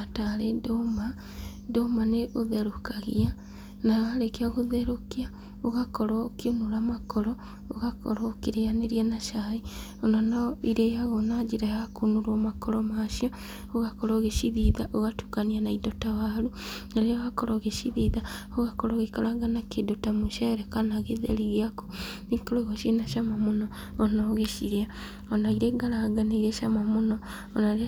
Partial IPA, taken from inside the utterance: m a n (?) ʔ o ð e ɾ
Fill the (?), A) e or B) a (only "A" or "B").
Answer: A